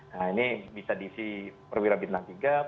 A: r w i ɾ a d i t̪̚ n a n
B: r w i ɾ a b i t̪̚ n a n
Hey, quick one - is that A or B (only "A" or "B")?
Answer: B